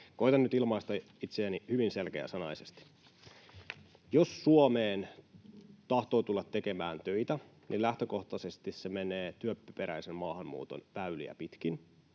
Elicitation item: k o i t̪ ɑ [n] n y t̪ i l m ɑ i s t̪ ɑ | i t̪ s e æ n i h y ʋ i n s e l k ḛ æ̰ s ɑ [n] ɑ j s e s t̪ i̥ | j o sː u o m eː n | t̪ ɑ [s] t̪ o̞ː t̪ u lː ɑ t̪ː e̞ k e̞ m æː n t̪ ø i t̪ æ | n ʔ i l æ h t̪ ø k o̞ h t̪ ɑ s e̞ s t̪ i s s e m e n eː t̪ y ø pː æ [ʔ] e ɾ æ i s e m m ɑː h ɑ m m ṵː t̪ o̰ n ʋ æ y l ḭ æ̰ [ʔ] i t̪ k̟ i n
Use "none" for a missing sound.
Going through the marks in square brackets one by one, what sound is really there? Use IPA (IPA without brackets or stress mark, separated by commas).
n, n, h, p, p